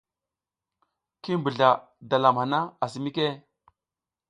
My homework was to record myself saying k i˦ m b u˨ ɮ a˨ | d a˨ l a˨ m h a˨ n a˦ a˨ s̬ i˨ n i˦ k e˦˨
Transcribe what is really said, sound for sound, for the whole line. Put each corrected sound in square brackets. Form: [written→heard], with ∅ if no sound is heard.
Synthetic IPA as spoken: k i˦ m b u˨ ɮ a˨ | d a˨ l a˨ m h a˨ n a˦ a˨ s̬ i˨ [n→m] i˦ k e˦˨